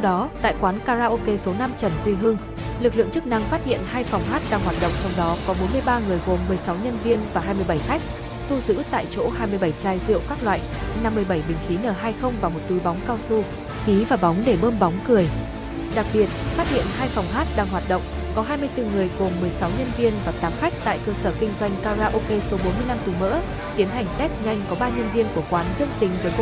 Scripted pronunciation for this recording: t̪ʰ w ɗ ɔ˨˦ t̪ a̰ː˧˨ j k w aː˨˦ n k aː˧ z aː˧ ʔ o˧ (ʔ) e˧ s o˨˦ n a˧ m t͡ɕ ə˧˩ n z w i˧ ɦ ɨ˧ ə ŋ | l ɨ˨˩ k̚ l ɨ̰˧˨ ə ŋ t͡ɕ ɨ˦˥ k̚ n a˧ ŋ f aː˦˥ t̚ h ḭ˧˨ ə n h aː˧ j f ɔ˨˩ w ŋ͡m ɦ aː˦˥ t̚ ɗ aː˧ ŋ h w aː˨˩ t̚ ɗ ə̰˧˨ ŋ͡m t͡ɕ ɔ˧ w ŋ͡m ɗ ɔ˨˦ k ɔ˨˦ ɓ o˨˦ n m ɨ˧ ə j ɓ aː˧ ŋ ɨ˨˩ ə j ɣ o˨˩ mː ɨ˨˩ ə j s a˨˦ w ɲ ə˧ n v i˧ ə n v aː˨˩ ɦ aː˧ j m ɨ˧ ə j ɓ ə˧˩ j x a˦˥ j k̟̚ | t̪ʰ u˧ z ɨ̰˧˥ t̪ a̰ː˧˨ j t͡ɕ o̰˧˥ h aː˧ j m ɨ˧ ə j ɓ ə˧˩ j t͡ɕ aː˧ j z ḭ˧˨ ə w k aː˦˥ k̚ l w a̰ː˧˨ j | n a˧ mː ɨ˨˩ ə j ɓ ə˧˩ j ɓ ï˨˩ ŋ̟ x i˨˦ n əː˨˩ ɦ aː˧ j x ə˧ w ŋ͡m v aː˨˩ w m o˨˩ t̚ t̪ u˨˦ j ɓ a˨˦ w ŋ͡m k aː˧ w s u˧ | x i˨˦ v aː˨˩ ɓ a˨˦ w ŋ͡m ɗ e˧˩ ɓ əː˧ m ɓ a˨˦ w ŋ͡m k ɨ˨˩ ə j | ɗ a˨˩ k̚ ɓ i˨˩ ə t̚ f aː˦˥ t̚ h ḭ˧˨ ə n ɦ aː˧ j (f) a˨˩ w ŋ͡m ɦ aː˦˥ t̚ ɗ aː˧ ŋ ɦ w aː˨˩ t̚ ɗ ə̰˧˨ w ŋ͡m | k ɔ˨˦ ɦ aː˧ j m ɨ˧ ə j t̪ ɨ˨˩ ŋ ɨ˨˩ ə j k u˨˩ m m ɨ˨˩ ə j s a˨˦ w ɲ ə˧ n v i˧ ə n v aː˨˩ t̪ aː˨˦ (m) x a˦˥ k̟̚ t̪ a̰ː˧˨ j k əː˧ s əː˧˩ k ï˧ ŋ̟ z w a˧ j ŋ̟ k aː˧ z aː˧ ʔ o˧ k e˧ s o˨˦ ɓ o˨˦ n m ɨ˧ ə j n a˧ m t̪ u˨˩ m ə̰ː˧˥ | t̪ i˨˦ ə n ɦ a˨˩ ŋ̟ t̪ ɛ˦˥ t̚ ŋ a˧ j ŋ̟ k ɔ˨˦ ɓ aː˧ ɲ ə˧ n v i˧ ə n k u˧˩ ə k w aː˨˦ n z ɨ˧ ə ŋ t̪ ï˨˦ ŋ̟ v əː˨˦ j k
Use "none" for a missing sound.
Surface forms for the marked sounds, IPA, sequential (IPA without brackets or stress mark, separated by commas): k, f, m